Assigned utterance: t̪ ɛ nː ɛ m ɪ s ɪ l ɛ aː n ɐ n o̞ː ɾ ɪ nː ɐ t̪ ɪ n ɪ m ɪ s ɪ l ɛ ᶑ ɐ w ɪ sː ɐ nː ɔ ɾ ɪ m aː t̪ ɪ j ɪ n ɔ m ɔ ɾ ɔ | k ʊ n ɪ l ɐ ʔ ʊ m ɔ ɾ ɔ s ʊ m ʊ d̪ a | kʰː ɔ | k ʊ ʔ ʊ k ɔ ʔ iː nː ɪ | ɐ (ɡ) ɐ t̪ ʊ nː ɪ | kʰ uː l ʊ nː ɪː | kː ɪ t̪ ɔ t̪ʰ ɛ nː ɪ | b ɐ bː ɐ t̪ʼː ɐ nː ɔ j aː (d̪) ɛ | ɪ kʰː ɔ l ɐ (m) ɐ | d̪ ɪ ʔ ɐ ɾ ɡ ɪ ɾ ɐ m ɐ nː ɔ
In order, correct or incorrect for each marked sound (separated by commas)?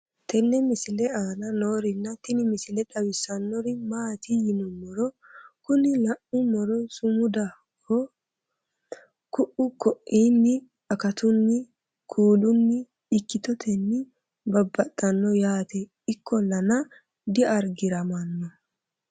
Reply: incorrect, incorrect, incorrect